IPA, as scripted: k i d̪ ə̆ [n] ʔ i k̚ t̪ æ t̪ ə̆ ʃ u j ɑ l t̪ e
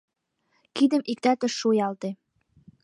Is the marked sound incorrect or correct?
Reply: incorrect